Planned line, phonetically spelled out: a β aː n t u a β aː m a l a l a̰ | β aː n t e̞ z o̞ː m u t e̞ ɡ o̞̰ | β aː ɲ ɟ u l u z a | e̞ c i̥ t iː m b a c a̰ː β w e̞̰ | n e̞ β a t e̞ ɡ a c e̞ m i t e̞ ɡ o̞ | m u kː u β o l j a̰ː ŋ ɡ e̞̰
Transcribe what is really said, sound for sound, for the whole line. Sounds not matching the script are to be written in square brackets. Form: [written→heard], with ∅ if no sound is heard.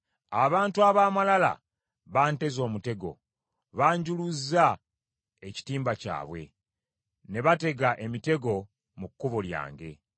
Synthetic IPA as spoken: a β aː n t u a β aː m a l a l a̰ | β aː n t e̞ z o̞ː m u t e̞ ɡ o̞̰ | β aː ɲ ɟ u l u z a | e̞ c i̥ t iː m b a c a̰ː β w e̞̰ | n e̞ β a t e̞ ɡ a [c→ʔ] e̞ m i t e̞ ɡ o̞ | m u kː u β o l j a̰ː ŋ ɡ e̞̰